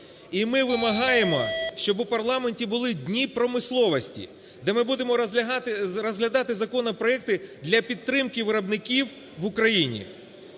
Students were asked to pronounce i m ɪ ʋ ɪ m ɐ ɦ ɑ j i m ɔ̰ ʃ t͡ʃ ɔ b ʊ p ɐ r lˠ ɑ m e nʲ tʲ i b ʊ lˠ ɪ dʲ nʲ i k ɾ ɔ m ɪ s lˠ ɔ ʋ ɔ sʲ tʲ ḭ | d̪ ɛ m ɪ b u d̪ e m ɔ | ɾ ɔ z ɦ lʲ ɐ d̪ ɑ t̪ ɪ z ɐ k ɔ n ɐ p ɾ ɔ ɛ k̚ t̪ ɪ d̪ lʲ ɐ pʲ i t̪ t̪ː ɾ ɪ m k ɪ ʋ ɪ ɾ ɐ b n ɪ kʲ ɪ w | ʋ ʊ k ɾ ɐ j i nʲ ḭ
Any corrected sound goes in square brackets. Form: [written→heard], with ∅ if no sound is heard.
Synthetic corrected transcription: i m ɪ ʋ ɪ m ɐ ɦ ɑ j [i→e] m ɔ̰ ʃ t͡ʃ ɔ b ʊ p ɐ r lˠ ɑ m e nʲ tʲ i b ʊ lˠ ɪ dʲ nʲ i [k→p] ɾ ɔ m ɪ s lˠ ɔ ʋ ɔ sʲ tʲ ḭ | d̪ ɛ m ɪ b u d̪ e m ɔ | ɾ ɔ z ɦ lʲ ɐ d̪ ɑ t̪ ɪ z ɐ k ɔ n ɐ p ɾ ɔ ɛ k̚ t̪ ɪ d̪ lʲ ɐ pʲ i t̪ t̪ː ɾ ɪ m k ɪ ʋ ɪ ɾ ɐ b n ɪ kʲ [ɪ→i] w | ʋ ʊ k ɾ ɐ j i nʲ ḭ